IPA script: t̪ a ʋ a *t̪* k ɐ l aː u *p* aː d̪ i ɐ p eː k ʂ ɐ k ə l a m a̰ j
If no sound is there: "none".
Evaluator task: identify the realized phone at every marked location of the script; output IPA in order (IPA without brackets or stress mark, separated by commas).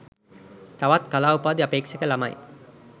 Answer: t̪, p